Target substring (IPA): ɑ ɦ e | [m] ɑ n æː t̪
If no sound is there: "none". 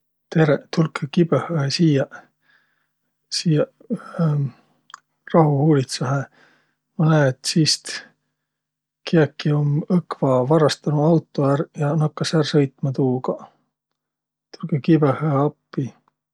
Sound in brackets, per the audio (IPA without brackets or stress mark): m